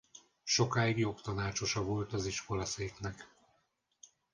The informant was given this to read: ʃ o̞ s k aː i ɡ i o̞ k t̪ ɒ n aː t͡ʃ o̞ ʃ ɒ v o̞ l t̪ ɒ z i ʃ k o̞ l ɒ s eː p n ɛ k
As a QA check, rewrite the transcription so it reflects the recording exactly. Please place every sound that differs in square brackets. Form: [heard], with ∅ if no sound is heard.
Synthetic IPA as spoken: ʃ o̞ [∅] k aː i ɡ [j] o̞ k t̪ ɒ n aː t͡ʃ o̞ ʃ ɒ v o̞ l t̪ ɒ z i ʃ k o̞ l ɒ s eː [k] n ɛ k